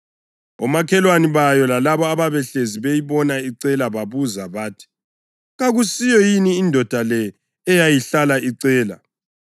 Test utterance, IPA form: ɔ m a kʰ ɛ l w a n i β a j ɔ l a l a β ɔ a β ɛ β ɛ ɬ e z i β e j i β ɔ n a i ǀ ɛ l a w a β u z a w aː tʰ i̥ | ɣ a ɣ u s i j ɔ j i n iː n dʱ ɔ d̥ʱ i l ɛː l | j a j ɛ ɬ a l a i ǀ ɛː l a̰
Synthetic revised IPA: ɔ m a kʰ ɛ l w a n i β a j ɔ l a l a β ɔ a β a β ɛ ɬ e z i β e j i β ɔ n a i ǀ ɛ l a β a β u z a β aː tʰ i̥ | ɣ a ɣ u s i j ɔ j i n iː n dʱ ɔ d̥ʱ a l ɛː | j a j i ɬ a l a i ǀ ɛː l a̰